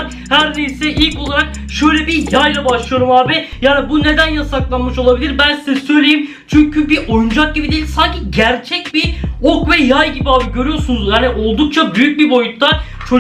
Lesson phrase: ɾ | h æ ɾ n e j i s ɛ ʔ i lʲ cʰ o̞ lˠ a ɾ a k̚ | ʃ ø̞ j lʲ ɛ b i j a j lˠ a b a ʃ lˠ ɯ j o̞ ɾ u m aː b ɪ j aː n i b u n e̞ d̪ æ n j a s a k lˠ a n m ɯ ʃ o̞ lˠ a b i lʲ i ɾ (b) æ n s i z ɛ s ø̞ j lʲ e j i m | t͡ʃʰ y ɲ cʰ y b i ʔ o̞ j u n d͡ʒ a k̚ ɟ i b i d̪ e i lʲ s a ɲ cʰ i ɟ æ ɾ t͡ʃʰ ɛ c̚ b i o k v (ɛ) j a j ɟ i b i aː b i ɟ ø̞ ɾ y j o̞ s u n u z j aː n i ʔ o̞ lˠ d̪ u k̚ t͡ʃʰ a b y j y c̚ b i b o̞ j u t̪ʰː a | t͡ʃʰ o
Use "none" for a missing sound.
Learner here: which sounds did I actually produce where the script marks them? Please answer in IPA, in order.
b, ɛ

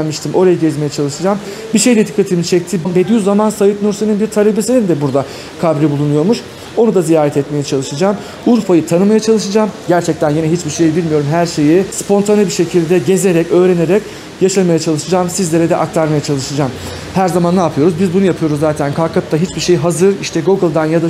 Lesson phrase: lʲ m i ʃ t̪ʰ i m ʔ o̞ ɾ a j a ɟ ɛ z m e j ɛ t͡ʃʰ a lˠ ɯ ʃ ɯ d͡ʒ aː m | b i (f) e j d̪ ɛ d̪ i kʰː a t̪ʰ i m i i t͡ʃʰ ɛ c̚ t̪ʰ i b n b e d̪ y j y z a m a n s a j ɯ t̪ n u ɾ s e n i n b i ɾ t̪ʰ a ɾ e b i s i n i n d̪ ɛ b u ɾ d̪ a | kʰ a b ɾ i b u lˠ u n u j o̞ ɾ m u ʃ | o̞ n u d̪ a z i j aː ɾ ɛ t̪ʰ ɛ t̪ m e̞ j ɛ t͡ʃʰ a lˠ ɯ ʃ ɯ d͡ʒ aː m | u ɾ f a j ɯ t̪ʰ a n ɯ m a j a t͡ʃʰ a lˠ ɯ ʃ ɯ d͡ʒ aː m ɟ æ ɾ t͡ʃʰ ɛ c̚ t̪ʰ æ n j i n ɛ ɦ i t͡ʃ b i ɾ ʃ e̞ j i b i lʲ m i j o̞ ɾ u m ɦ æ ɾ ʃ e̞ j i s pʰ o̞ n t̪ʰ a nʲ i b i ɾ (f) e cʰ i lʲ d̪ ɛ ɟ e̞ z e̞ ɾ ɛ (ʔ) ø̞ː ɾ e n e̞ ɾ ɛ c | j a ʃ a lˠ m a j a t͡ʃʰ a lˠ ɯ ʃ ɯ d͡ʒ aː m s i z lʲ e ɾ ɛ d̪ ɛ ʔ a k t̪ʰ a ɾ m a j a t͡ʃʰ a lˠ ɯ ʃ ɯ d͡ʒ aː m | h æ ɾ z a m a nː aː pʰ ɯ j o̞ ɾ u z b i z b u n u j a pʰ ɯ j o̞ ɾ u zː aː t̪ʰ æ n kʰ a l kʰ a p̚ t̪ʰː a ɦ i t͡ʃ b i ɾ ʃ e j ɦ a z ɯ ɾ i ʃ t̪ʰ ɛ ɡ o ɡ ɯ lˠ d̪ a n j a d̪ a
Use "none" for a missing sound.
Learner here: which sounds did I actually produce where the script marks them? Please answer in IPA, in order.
ʃ, ʃ, c

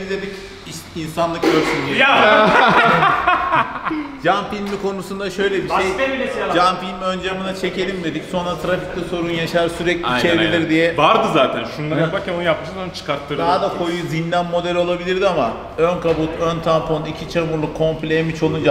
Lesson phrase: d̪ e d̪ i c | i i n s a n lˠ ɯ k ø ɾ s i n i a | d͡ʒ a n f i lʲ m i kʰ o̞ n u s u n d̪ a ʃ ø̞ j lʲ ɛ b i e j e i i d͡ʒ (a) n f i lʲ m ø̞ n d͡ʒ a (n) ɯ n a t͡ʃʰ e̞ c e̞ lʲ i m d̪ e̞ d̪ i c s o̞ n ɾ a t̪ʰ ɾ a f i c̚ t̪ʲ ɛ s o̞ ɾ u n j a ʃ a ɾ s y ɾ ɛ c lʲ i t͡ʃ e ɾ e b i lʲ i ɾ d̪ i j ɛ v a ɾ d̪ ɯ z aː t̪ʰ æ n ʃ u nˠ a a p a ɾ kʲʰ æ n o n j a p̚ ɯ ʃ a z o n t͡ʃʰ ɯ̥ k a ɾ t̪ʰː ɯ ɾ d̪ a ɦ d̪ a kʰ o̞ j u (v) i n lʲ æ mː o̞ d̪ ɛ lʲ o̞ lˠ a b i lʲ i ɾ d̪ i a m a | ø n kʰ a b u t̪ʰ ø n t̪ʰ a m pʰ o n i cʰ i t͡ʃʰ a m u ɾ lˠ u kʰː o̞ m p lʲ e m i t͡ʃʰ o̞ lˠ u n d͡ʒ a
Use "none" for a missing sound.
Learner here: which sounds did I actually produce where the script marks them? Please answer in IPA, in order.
a, m, z

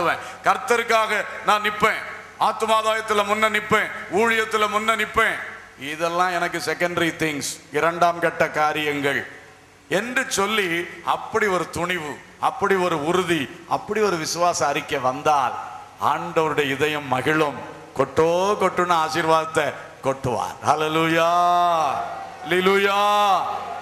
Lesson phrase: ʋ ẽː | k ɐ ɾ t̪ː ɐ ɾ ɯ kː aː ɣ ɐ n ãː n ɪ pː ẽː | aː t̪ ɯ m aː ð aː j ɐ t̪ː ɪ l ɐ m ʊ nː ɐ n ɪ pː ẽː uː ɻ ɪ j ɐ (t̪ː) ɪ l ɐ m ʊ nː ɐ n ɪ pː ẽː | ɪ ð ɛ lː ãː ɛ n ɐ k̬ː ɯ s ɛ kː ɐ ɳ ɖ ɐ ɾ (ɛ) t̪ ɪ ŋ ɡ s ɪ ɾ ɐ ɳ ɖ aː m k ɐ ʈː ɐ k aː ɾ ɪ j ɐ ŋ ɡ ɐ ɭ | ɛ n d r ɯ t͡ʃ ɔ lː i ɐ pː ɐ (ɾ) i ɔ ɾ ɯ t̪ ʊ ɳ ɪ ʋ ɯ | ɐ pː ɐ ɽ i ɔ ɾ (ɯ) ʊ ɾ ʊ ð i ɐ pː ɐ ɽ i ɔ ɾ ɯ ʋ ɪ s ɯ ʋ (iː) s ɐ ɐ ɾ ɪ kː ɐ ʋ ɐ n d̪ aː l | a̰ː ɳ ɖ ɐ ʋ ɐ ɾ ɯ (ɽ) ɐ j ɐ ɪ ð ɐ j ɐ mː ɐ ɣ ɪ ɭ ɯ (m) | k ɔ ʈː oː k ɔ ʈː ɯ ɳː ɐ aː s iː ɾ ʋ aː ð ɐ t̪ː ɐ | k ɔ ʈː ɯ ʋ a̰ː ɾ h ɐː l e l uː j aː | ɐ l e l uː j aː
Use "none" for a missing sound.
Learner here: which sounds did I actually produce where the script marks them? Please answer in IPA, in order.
t̪ː, i, ɽ, ɯ, aː, ɽ, m

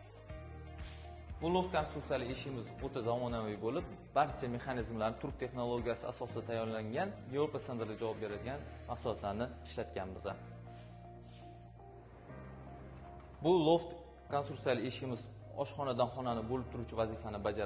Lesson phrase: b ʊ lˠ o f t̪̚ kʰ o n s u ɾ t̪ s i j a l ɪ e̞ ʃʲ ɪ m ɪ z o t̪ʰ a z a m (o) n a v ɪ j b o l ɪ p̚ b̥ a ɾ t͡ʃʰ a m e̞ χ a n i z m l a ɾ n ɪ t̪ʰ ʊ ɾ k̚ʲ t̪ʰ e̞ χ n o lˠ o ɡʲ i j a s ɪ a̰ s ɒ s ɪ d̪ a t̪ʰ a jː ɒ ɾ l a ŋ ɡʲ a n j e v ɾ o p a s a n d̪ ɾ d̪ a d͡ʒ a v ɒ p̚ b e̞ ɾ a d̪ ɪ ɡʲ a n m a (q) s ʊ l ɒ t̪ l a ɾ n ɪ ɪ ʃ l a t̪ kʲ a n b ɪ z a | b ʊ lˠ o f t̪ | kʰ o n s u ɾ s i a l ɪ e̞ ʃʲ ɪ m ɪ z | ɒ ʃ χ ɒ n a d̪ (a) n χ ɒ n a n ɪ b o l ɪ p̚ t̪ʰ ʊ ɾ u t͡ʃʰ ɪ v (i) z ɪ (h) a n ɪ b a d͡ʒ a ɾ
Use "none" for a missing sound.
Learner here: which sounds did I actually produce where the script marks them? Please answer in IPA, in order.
ɒ, q, a, a, f

